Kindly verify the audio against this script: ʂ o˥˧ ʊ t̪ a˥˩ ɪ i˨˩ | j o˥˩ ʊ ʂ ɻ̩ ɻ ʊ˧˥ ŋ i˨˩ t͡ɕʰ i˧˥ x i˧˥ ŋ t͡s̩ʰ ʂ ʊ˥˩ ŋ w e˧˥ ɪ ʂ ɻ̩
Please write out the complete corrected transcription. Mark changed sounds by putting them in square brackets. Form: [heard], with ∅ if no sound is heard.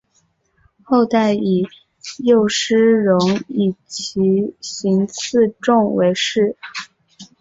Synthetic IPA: [x] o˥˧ ʊ t̪ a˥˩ ɪ i˨˩ | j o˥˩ ʊ ʂ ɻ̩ ɻ ʊ˧˥ ŋ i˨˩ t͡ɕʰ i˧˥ [ɕ] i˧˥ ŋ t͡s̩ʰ [ʈ͡ʂ] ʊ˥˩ ŋ w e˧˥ ɪ ʂ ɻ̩